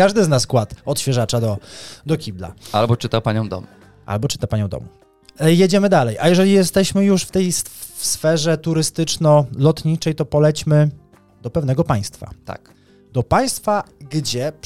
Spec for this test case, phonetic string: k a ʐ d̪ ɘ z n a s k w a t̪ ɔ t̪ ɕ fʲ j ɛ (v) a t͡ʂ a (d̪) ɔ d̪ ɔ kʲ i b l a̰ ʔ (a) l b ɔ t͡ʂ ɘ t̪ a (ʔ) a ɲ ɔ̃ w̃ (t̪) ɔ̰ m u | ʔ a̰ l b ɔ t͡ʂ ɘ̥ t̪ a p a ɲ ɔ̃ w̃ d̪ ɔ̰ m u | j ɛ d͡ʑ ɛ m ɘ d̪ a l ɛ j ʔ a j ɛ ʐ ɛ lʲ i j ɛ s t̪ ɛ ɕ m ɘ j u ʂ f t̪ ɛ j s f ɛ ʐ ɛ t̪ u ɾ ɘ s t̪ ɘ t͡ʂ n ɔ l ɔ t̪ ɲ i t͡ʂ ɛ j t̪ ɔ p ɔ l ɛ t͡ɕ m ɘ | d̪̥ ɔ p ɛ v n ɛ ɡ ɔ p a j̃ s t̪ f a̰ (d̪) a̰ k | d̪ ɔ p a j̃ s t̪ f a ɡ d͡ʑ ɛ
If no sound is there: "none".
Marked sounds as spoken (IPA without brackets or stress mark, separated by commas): ʐ, d̪, a, p, d̪, t̪